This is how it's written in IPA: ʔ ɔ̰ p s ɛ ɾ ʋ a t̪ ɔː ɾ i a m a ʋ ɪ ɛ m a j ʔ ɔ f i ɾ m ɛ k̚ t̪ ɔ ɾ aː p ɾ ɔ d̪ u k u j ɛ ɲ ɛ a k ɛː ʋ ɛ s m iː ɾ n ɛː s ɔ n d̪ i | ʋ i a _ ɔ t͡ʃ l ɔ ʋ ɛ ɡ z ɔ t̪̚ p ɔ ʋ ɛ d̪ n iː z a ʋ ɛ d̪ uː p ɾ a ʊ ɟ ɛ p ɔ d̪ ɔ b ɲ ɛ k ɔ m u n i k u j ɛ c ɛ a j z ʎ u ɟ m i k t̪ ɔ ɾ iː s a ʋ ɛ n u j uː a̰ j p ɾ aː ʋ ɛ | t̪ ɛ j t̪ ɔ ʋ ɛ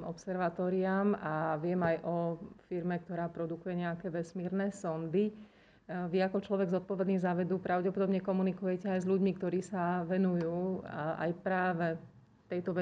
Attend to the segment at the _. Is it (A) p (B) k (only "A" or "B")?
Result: B